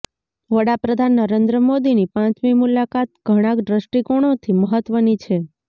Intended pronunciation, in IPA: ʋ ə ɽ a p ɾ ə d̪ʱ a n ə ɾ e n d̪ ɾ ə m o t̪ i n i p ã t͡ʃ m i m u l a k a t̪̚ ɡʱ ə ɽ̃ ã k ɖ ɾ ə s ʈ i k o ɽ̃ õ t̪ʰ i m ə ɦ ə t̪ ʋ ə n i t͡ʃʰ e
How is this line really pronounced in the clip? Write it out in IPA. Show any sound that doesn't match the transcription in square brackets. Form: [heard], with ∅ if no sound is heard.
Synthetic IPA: ʋ ə ɽ a p ɾ ə d̪ʱ a [nː] ə ɾ e n d̪ ɾ ə m o [d̪] i n i p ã t͡ʃ m i m u l a k a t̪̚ ɡʱ ə ɽ̃ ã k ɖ ɾ ə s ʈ i k o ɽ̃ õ t̪ʰ i m ə ɦ ə t̪ ʋ ə n i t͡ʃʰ e